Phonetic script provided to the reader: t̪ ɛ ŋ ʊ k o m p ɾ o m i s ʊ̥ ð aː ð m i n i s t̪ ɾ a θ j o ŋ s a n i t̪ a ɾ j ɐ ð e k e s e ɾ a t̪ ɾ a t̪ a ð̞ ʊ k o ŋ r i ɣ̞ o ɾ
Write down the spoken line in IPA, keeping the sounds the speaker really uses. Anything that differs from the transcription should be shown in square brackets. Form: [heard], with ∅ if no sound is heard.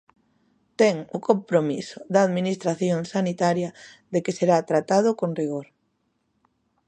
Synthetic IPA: t̪ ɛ ŋ ʊ k o m p ɾ o m i s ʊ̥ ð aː ð m i n i s t̪ ɾ a θ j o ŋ s a n i t̪ a ɾ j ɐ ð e k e s e ɾ a t̪ ɾ a t̪ a ð̞ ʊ k o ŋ r i ɣ̞ o ɾ

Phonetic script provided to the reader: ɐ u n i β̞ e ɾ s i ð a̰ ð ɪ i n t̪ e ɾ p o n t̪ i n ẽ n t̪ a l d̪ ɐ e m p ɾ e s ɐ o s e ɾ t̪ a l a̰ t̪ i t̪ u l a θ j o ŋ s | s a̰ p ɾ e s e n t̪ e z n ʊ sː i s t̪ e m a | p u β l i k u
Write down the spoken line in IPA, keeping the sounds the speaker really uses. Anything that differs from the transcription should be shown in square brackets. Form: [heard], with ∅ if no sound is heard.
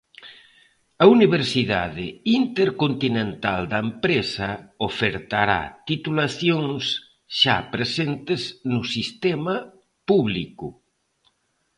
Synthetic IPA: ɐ u n i β̞ e ɾ s i ð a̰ ð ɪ i n t̪ e ɾ [k] o n t̪ i n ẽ n t̪ a l d̪ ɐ e m p ɾ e s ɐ o [f] e ɾ t̪ a [ɾ] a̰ t̪ i t̪ u l a θ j o ŋ s | [ʃ] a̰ p ɾ e s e n t̪ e z n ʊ [s] i s t̪ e m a | p u β l i k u

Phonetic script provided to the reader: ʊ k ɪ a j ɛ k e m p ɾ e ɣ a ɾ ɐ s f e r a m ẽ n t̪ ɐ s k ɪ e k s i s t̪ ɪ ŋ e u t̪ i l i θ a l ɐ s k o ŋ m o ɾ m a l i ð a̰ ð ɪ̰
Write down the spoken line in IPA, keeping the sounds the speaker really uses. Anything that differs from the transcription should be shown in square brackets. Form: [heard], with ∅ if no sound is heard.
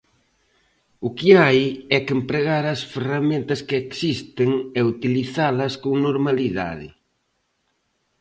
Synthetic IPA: ʊ k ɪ a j ɛ k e m p ɾ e ɣ a ɾ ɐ s f e r a m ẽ n t̪ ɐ s k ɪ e k s i s t̪ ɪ ŋ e u t̪ i l i θ a l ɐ s k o ŋ [n] o ɾ m a l i ð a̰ ð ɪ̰

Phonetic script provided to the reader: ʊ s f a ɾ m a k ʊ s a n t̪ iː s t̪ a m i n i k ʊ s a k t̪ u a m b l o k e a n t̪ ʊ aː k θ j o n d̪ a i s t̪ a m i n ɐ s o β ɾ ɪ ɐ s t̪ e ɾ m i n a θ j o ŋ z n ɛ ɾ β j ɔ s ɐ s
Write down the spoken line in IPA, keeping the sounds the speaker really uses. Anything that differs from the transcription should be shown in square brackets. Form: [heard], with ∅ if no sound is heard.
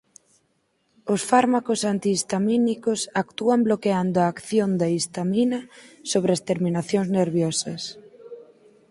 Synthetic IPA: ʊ s f a ɾ m a k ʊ s a n t̪ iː s t̪ a m i n i k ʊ s a k t̪ u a m b l o k e a n [d̪] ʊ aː k θ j o n d̪ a i s t̪ a m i n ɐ s o β ɾ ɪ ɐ s t̪ e ɾ m i n a θ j o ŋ z n [e] ɾ β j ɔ s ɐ s

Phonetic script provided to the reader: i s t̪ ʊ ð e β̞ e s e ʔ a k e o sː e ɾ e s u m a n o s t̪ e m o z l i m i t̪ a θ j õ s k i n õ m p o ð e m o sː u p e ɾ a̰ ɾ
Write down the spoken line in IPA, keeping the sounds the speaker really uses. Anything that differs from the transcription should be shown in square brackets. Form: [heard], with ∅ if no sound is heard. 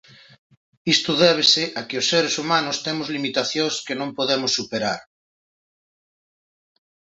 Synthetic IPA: i s t̪ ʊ ð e β̞ e s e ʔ a k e o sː e ɾ e s u m a n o s t̪ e m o z l i m i t̪ a θ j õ s k [e] n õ m p o ð e m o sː u p e ɾ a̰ ɾ

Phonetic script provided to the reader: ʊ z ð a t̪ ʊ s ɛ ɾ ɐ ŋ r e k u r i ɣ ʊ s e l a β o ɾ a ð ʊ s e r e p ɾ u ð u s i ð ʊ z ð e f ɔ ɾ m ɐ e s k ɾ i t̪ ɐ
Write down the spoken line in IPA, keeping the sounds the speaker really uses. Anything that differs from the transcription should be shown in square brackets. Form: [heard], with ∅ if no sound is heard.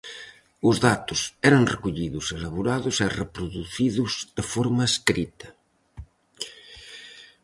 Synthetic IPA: ʊ z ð a t̪ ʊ s ɛ ɾ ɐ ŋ r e k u [ʎ] i [ð] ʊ s e l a β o ɾ a ð ʊ s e r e p ɾ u ð u [θ] i ð ʊ z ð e f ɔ ɾ m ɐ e s k ɾ i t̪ ɐ

